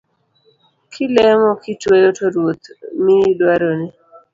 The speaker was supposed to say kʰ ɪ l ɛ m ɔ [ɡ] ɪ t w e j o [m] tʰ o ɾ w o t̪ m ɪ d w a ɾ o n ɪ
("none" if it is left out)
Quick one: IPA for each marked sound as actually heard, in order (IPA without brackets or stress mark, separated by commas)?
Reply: k, none